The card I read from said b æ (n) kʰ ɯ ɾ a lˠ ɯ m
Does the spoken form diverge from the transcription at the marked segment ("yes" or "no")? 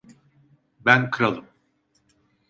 no